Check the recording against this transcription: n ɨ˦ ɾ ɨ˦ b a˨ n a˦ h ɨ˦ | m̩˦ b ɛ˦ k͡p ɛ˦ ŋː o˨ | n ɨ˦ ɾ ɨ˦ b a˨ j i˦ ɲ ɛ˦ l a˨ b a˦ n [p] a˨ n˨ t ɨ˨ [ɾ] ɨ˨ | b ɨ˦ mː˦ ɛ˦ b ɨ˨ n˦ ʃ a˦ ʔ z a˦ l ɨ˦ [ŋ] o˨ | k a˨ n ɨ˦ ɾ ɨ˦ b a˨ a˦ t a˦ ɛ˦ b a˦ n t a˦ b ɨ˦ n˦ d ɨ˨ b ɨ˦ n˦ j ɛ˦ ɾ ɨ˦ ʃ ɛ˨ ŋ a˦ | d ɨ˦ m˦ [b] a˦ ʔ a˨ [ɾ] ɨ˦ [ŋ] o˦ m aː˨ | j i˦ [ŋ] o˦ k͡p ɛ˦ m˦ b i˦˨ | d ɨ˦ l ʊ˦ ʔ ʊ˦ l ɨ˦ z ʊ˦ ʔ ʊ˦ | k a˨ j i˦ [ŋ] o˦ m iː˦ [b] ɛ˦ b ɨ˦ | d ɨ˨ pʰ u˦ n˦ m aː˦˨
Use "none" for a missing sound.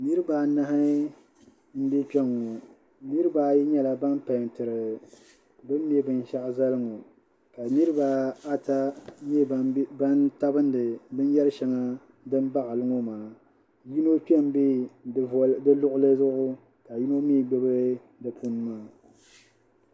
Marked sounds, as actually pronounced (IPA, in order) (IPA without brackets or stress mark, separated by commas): p, ɾ, ŋ, b, l, ŋ, n, n, ɡ͡b